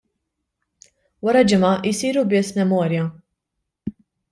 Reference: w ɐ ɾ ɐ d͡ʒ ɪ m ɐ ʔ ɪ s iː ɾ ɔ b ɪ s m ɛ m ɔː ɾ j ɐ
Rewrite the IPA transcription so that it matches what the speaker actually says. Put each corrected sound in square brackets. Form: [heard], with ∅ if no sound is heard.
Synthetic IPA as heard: w ɐ ɾ ɐ d͡ʒ ɪ m ɐ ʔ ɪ s iː ɾ [u] b ɪ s m ɛ m ɔː ɾ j ɐ